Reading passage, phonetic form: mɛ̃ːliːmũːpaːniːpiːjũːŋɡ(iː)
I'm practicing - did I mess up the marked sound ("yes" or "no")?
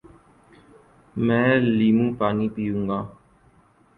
yes